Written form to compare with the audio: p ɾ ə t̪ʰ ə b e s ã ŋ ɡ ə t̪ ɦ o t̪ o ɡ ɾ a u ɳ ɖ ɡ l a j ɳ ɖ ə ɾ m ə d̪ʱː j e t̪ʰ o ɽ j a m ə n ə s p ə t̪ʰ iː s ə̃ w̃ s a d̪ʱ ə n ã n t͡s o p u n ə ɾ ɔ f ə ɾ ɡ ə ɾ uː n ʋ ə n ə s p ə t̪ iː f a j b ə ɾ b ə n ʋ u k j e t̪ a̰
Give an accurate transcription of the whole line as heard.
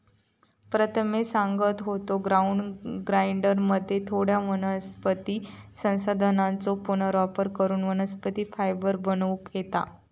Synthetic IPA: p ɾ ə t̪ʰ ə m e s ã ŋ ɡ ə t̪ ɦ o t̪ o ɡ ɾ a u ɳ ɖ ɡ ɾ a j ɳ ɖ ə ɾ m ə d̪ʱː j e t̪ʰ o ɽ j a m ə n ə s p ə t̪ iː s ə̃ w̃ s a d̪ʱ ə n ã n t͡s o p u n ə ɾ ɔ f ə ɾ k ə ɾ uː n ʋ ə n ə s p ə t̪ iː f a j b ə ɾ b ə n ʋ u k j e t̪ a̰